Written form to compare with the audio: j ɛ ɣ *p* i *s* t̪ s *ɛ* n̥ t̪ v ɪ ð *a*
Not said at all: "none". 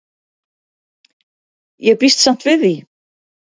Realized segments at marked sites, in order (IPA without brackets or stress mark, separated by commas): p, s, a, i